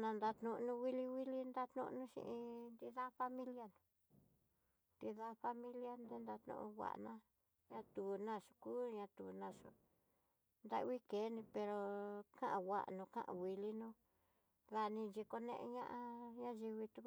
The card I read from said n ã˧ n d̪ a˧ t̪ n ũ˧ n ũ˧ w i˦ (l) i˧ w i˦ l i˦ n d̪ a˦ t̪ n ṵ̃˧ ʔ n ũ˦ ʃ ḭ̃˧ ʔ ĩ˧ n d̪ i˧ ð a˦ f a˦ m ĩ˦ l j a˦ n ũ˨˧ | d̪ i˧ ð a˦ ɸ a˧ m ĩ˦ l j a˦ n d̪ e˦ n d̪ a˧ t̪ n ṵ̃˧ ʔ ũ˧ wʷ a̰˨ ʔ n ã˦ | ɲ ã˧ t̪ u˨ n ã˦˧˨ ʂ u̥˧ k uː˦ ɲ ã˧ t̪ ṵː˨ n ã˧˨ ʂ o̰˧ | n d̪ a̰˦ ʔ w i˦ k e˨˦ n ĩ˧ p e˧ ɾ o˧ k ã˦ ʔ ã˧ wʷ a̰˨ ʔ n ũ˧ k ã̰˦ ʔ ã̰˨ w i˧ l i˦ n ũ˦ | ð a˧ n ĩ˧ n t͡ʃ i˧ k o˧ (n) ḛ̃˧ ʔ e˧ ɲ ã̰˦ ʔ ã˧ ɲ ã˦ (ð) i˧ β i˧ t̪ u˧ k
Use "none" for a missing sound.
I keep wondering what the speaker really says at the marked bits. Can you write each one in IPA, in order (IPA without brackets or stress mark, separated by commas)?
l, n, ʒ